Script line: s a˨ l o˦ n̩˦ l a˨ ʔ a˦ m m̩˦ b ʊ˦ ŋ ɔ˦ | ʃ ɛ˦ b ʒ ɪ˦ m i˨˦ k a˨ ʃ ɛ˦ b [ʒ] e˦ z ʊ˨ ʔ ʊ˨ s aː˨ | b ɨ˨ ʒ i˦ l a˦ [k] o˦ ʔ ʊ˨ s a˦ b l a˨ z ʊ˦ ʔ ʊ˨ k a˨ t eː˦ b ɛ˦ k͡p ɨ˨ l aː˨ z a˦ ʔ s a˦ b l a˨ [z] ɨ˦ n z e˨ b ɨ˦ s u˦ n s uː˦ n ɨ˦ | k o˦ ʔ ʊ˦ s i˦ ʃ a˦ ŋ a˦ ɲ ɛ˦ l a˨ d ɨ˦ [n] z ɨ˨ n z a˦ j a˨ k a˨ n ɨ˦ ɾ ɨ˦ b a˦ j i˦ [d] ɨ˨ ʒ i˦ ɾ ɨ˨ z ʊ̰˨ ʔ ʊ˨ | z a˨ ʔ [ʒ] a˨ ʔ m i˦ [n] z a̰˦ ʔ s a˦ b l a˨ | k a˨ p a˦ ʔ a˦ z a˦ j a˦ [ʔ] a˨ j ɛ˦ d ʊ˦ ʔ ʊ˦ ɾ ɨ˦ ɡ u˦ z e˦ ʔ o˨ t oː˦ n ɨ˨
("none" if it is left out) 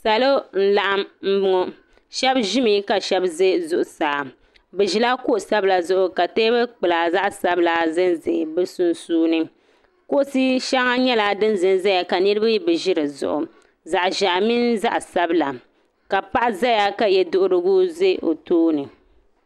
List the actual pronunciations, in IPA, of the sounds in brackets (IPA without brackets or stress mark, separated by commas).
z, k, z, n, b, ʒ, n, k